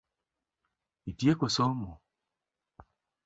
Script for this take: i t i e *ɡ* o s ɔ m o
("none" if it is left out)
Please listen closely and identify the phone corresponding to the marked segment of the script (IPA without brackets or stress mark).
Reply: k